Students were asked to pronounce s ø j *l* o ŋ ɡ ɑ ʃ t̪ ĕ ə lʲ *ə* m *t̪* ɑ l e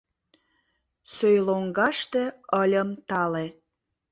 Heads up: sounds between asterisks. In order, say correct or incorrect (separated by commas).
correct, correct, correct